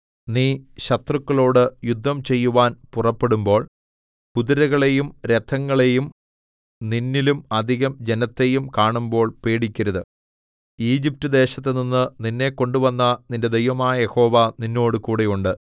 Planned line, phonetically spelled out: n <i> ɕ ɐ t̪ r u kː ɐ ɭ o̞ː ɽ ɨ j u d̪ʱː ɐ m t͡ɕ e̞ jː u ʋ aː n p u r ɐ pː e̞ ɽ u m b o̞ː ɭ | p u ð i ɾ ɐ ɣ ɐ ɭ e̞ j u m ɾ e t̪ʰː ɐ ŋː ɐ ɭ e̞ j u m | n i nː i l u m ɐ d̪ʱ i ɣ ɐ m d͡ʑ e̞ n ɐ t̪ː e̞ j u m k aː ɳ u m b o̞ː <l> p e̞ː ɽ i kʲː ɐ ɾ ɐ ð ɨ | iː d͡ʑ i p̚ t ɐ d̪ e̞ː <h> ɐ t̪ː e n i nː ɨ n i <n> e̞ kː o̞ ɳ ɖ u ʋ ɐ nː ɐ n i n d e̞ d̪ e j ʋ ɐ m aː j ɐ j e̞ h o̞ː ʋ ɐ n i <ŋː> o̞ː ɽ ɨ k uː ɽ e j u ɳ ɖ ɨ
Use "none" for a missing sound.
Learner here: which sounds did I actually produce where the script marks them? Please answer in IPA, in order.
iː, ɭ, ɕ, nː, nː

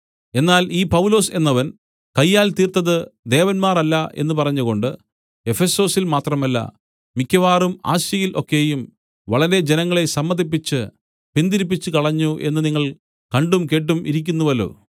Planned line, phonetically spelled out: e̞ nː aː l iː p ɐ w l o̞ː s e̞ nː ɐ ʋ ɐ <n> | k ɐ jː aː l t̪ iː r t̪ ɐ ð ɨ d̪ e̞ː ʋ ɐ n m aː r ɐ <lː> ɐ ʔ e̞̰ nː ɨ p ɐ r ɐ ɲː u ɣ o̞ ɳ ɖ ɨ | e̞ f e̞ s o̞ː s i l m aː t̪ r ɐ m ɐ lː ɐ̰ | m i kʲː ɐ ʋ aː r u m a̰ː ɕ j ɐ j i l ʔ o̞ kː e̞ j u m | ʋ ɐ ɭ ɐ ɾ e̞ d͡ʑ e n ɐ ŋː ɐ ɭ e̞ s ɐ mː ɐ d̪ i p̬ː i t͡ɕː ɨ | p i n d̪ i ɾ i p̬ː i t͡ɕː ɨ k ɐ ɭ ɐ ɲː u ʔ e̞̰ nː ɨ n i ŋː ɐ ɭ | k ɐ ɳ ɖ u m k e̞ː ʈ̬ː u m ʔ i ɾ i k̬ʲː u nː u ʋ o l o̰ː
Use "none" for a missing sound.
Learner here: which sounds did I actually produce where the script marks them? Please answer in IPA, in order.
n, lː

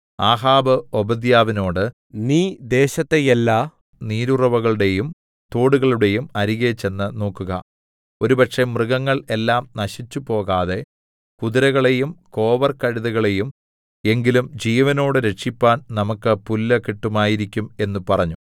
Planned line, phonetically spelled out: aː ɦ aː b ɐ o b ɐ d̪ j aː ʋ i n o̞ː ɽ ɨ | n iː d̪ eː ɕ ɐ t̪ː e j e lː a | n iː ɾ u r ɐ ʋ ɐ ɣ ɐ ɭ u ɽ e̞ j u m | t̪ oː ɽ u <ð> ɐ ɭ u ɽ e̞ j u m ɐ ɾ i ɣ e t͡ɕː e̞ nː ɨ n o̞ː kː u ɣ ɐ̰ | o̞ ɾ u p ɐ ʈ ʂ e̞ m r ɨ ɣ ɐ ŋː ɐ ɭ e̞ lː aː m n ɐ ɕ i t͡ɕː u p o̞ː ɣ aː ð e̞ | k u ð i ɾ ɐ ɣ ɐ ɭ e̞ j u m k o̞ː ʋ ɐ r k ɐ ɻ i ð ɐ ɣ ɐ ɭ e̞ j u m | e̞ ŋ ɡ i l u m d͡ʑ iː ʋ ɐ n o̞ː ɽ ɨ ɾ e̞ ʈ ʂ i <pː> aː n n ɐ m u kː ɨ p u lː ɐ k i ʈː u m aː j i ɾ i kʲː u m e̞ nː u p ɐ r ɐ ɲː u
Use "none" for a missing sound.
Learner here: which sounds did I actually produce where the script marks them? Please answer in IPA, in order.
ɣ, pː

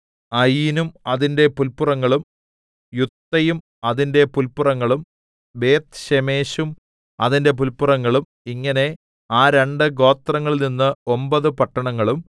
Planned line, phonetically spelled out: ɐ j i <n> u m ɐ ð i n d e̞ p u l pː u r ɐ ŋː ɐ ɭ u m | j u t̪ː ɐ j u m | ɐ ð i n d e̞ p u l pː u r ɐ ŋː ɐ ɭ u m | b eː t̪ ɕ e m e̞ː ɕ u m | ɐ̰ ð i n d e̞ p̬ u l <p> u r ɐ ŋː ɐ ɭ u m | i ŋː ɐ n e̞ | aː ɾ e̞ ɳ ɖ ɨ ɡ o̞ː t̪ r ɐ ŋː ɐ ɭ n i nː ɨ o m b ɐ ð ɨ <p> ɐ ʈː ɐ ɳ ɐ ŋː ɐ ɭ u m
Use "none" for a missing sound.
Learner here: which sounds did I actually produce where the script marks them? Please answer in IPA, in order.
n, p, p

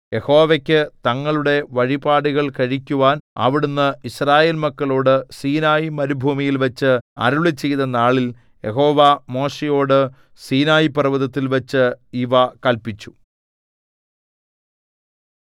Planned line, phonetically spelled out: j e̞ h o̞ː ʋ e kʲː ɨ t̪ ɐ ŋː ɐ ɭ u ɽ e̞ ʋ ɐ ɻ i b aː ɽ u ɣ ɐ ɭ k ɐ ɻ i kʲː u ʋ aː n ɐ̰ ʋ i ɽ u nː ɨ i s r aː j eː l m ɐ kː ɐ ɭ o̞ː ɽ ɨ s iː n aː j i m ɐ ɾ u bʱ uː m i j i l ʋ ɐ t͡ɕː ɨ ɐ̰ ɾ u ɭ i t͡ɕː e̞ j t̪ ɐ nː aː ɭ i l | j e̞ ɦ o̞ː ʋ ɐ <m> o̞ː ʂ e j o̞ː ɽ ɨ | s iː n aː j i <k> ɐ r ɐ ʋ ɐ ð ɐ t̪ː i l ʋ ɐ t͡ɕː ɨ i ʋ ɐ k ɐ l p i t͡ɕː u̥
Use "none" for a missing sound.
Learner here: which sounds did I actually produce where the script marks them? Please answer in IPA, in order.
m, p

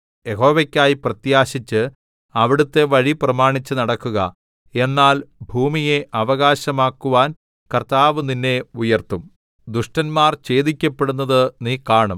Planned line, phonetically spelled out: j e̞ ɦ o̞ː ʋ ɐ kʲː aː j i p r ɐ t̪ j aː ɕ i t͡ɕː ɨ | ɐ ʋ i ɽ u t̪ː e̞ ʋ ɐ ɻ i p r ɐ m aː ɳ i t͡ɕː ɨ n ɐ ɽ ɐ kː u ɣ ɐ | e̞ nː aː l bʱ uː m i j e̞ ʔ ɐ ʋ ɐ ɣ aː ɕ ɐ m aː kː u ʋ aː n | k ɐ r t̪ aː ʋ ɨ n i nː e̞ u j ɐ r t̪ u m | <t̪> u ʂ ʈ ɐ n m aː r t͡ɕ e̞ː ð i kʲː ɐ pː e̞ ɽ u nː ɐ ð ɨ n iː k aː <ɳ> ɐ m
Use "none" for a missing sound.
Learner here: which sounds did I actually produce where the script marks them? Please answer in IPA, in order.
d̪, ɳ

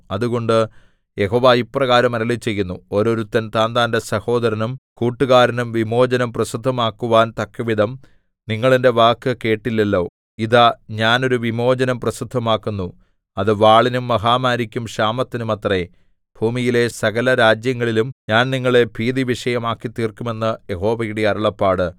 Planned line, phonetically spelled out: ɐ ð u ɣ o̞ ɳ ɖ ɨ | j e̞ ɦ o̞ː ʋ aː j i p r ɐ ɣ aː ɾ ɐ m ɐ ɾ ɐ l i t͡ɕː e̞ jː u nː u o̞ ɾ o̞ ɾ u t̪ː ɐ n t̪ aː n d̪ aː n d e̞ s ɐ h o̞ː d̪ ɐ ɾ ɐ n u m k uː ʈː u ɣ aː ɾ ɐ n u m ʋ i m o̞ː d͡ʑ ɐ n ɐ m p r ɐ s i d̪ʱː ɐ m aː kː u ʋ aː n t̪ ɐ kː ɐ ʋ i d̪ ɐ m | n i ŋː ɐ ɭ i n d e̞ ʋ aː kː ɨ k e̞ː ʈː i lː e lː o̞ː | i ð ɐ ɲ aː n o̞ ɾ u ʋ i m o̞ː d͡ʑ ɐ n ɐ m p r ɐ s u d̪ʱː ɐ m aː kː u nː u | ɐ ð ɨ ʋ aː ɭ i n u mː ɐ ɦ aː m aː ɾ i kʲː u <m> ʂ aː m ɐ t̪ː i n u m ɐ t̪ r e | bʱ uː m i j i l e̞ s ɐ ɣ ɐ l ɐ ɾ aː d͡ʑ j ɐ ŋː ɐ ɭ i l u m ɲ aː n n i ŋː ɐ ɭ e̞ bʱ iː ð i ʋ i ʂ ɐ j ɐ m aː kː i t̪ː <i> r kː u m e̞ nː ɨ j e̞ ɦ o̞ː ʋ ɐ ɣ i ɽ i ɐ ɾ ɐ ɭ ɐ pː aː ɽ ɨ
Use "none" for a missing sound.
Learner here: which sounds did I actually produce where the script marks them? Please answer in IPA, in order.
m, iː

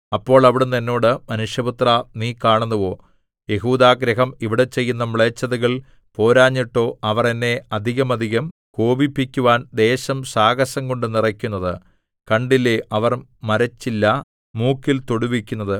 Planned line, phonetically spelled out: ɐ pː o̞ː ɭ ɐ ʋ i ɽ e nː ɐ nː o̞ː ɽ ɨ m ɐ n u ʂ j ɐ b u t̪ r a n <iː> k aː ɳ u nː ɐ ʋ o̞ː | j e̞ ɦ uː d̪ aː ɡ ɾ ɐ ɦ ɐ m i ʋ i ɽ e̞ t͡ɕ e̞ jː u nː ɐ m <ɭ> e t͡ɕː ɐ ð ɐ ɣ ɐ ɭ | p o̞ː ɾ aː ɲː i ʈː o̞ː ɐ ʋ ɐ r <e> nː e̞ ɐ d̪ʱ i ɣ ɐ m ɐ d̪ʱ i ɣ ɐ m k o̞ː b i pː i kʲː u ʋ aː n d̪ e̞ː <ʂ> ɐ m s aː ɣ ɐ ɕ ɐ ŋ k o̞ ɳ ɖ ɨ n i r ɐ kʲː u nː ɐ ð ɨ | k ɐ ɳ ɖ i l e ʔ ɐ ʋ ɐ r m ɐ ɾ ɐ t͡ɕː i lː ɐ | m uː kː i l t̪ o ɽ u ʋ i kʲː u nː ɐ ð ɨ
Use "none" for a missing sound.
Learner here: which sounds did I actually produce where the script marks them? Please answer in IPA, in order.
iː, ɭ, e, ɕ

